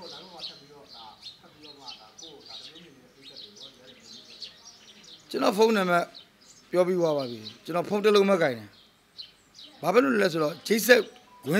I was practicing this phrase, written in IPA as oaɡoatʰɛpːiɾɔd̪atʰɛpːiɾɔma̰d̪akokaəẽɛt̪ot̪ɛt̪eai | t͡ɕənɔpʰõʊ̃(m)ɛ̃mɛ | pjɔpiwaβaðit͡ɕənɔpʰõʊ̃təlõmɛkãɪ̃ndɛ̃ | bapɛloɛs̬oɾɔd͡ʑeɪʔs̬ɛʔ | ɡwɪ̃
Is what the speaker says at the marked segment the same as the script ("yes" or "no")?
no